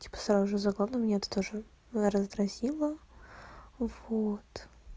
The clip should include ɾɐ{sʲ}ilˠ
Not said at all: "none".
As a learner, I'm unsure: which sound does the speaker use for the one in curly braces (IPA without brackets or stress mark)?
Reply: zʲ